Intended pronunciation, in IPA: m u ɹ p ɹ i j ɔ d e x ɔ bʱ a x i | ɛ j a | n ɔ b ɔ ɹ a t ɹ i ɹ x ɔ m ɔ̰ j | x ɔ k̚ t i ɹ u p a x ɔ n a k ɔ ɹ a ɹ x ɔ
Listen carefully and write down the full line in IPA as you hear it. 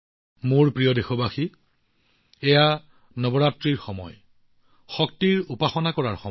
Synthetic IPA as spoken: m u ɹ p ɹ i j ɔ d e x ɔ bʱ a x i | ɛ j a | n ɔ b ɔ ɹ a t ɹ i ɹ x ɔ m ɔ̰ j | x ɔ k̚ t i ɹ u p a x ɔ n a k ɔ ɹ a ɹ x ɔ